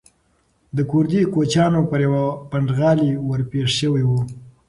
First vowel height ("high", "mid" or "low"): mid